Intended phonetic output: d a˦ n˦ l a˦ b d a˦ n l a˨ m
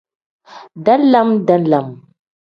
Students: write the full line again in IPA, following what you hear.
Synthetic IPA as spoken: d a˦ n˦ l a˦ m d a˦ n l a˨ m